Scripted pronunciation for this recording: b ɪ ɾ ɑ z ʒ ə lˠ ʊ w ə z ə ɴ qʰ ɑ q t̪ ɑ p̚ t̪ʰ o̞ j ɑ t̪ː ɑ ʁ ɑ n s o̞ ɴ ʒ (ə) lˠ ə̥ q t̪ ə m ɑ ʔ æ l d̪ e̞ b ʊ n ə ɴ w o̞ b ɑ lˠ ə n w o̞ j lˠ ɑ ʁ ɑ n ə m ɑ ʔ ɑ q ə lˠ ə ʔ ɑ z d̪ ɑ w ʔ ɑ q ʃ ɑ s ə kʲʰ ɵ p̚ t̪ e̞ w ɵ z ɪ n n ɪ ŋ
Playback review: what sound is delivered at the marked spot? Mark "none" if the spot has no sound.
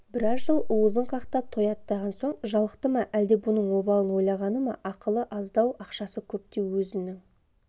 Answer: ɑ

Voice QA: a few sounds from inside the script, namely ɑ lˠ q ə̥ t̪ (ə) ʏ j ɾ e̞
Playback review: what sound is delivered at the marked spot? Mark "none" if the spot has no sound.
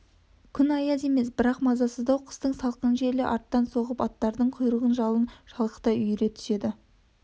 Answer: ɑ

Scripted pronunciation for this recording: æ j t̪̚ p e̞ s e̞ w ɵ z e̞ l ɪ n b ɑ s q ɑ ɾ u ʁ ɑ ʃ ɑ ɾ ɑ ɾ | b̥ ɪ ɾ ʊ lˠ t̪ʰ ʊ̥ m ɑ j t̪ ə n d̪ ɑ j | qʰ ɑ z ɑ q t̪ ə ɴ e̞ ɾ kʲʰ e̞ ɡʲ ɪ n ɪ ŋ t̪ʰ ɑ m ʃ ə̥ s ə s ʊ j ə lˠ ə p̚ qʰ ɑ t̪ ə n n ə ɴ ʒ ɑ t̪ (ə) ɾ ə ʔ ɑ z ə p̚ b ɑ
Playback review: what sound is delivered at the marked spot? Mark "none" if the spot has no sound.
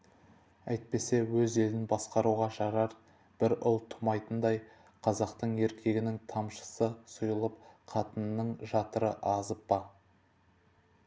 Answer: ə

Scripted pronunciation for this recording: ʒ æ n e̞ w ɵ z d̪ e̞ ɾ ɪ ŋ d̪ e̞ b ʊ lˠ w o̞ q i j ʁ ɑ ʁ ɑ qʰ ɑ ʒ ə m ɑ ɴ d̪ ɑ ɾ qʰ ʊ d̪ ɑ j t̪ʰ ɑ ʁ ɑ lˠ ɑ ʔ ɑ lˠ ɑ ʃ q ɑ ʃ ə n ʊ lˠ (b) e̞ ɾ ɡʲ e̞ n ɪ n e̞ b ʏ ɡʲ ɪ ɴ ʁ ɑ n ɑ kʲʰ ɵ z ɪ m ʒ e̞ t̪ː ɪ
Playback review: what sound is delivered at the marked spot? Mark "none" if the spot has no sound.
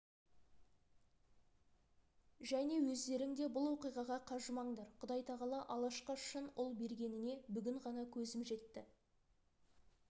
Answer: b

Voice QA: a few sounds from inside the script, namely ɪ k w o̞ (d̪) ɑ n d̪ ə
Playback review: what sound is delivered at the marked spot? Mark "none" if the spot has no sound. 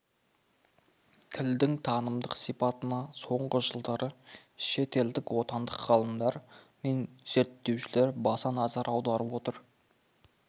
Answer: t̪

